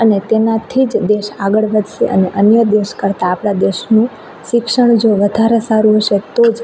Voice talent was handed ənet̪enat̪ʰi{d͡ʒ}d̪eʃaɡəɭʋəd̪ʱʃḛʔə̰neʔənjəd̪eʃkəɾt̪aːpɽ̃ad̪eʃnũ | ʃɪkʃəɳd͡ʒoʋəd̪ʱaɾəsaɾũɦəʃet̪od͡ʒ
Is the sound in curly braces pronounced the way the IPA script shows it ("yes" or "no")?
yes